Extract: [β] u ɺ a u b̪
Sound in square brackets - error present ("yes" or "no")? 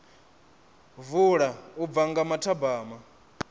yes